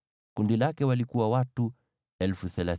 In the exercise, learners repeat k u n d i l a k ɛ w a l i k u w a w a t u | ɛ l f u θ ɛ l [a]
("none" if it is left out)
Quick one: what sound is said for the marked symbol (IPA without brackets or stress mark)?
a